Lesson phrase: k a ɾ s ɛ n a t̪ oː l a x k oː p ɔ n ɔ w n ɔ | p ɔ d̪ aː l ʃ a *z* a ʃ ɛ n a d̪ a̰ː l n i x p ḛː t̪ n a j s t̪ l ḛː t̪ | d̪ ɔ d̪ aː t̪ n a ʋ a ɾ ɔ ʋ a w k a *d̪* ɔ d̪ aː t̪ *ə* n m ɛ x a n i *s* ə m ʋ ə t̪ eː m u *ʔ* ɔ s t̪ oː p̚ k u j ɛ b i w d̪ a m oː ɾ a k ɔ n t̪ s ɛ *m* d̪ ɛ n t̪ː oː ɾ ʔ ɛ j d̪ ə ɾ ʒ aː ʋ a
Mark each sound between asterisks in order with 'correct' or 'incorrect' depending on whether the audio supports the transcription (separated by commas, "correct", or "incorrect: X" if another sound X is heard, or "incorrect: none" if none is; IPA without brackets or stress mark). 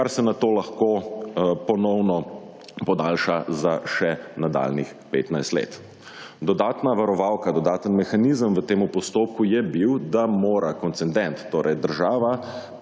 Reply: correct, correct, correct, incorrect: z, incorrect: p, incorrect: n